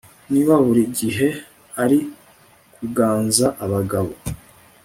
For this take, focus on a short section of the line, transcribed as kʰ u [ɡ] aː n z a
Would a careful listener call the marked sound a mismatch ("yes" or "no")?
no